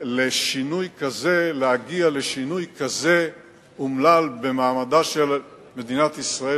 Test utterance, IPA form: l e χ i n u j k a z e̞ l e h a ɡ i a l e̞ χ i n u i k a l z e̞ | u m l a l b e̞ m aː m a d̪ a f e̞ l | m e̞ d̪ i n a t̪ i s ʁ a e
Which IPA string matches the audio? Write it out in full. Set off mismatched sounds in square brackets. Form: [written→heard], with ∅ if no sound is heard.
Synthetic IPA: l e [χ→ʃ] i n u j k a z e̞ l e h a ɡ i a l e̞ [χ→ʃ] i n u [i→j] k a [l→∅] z e̞ | u m l a l b e̞ m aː m a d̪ a [f→ʃ] e̞ l | m e̞ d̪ i n a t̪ i s ʁ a e